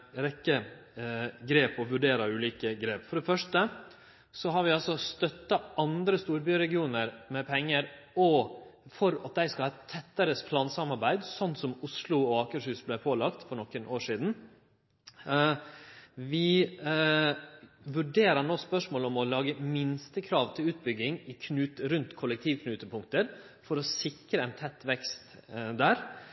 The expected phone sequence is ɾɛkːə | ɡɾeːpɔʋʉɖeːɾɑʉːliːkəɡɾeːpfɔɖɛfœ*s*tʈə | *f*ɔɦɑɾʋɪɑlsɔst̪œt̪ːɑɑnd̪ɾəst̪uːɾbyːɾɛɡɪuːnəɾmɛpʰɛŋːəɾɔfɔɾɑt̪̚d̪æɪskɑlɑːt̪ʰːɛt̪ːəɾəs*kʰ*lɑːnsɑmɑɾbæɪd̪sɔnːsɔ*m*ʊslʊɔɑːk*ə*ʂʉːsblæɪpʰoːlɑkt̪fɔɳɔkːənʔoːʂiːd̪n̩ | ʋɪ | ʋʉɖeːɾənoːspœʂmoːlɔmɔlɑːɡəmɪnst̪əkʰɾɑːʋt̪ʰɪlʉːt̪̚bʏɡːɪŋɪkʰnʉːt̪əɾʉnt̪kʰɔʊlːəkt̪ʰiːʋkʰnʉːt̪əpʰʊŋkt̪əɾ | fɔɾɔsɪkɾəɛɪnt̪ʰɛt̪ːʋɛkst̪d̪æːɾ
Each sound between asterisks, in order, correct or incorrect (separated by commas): incorrect, incorrect, incorrect, correct, correct